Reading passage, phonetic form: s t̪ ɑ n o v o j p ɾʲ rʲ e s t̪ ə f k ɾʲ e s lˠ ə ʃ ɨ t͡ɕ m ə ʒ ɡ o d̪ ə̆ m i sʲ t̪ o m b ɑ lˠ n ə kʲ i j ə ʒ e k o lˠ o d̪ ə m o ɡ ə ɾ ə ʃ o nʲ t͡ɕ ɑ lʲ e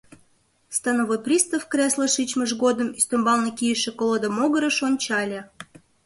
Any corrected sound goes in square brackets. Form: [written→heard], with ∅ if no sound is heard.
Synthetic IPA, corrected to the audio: s t̪ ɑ n o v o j p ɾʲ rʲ [e→i] s t̪ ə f k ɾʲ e s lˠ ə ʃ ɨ t͡ɕ m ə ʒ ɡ o d̪ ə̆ m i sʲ t̪ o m b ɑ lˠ n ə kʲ i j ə [ʒ→ʃ] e k o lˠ o d̪ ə m o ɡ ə ɾ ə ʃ o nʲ t͡ɕ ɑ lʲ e